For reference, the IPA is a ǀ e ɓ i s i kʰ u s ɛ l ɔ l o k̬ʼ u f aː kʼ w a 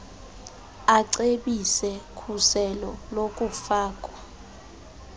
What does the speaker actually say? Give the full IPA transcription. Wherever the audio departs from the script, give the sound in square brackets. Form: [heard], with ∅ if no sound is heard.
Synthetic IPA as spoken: a ǀ e ɓ i s [ɛ] kʰ u s ɛ l ɔ l o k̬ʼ u f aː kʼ w a